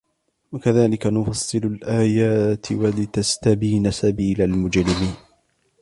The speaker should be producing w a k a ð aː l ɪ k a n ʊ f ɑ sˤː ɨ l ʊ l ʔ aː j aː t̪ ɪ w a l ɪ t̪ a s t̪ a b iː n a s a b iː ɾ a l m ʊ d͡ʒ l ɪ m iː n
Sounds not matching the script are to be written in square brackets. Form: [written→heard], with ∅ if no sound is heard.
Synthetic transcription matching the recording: w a k a ð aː l ɪ k a n ʊ f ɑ sˤː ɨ l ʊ l ʔ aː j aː t̪ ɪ w a l ɪ t̪ a s t̪ a b iː n a s a b iː [ɾ→l] a l m ʊ d͡ʒ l ɪ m iː n